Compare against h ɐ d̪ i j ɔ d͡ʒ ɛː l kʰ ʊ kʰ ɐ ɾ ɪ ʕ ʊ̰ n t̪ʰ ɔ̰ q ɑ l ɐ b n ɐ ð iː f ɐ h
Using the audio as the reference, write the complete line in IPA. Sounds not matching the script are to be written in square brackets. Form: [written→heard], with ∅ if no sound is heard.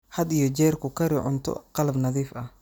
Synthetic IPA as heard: h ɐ d̪ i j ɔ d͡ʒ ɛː [l→r] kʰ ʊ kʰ ɐ ɾ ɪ ʕ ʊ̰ n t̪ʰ ɔ̰ q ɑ l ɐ b n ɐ ð iː f ɐ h